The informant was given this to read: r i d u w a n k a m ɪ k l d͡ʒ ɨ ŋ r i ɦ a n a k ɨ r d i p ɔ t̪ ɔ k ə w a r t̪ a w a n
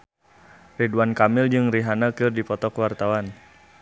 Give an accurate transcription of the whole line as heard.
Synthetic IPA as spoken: r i d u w a n k a m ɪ l d͡ʒ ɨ ŋ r i ɦ a n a k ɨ r d i p ɔ t̪ ɔ k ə w a r t̪ a w a n